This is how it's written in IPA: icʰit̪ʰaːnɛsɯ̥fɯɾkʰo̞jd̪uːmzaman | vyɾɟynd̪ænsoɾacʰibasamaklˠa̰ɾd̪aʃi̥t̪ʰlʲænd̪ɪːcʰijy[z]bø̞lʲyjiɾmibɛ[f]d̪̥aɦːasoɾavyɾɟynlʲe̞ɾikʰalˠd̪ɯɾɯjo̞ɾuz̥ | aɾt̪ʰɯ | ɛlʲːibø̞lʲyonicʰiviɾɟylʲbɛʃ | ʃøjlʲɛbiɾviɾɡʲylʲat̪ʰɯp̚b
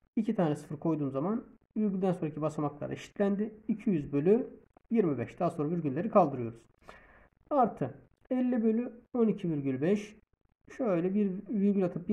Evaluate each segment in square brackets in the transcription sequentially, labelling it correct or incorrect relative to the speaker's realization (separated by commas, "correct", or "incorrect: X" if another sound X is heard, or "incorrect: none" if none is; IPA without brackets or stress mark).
correct, incorrect: ʃ